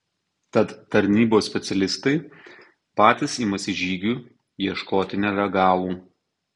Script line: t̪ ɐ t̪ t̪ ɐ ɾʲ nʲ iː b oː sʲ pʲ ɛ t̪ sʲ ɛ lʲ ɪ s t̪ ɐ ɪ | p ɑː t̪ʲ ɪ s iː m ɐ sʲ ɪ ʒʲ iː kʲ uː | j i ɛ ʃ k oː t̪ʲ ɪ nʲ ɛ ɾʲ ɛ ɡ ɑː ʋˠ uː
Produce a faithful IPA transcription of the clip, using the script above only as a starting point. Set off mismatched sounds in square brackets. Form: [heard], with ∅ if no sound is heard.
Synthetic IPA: t̪ ɐ t̪ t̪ ɐ ɾʲ nʲ iː b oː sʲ pʲ ɛ t̪ sʲ ɛ lʲ ɪ s t̪ ɐ ɪ | p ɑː t̪ʲ ɪ s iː m ɐ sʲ ɪ ʒʲ iː [ɡʲ] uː | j i ɛ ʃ k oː t̪ʲ ɪ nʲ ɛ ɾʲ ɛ ɡ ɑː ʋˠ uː

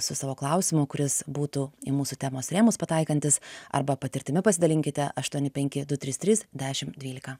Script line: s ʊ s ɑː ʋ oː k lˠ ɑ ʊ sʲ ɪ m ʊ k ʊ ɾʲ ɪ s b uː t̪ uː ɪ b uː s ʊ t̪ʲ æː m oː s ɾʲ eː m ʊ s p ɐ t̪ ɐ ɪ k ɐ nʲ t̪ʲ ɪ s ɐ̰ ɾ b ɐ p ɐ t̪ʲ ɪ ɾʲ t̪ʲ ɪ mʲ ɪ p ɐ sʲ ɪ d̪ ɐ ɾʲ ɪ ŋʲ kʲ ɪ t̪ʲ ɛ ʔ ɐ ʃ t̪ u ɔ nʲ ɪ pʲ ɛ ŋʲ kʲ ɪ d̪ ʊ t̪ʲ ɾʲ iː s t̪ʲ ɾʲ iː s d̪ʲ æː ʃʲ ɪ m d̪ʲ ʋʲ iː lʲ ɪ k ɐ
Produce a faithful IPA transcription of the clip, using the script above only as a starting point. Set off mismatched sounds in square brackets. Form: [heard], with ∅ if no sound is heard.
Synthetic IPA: s ʊ s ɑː ʋ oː k lˠ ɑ ʊ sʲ ɪ m ʊ k ʊ ɾʲ ɪ s b uː t̪ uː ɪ [m] uː s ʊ t̪ʲ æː m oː s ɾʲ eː m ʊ s p ɐ t̪ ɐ ɪ k ɐ nʲ t̪ʲ ɪ s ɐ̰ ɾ b ɐ p ɐ t̪ʲ ɪ ɾʲ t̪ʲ ɪ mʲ ɪ p ɐ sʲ ɪ d̪ ɐ [lʲ] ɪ ŋʲ kʲ ɪ t̪ʲ ɛ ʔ ɐ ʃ t̪ u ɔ nʲ ɪ pʲ ɛ ŋʲ kʲ ɪ d̪ ʊ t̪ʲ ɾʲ iː s t̪ʲ ɾʲ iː s d̪ʲ æː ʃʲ ɪ m d̪ʲ ʋʲ iː lʲ ɪ k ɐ

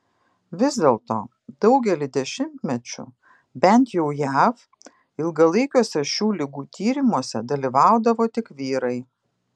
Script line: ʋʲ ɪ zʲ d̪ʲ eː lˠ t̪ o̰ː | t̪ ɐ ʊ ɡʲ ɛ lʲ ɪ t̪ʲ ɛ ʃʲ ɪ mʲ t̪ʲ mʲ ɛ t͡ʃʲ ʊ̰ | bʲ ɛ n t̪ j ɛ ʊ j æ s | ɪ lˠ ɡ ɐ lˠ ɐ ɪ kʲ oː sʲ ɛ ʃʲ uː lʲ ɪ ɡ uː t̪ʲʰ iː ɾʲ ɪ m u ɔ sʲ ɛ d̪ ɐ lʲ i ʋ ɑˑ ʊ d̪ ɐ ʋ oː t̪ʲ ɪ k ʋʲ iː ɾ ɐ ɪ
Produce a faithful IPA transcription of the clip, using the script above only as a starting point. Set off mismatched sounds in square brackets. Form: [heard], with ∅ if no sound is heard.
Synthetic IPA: ʋʲ ɪ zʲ d̪ʲ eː lˠ t̪ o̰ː | [d̪] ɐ ʊ ɡʲ ɛ lʲ ɪ [d̪ʲ] ɛ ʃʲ ɪ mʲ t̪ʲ mʲ ɛ t͡ʃʲ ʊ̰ | bʲ ɛ n t̪ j ɛ ʊ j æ [f] | ɪ lˠ ɡ ɐ lˠ ɐ ɪ kʲ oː sʲ ɛ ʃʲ uː lʲ ɪ ɡ uː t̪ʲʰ iː ɾʲ ɪ m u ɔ sʲ ɛ d̪ ɐ lʲ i ʋ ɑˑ ʊ d̪ ɐ ʋ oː t̪ʲ ɪ k ʋʲ iː ɾ ɐ ɪ

